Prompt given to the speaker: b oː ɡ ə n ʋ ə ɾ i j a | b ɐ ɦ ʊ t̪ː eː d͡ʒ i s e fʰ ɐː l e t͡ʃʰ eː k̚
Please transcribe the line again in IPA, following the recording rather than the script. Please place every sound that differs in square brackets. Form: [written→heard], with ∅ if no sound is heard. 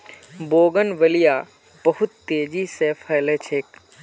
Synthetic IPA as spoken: b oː ɡ ə n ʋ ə [ɾ→l] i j a | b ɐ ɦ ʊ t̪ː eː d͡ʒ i s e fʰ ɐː l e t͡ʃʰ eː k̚